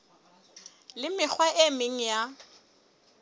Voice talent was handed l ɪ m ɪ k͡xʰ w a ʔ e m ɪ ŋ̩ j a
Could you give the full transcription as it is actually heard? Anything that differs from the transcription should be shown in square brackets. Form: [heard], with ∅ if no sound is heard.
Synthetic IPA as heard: l ɪ m ɪ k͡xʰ w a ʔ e m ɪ ŋ̩ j a